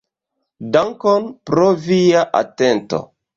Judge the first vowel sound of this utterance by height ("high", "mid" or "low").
low